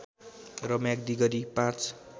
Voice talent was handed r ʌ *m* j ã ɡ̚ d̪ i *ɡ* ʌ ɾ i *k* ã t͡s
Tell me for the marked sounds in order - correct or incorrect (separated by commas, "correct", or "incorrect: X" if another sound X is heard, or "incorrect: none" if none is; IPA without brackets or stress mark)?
correct, correct, incorrect: p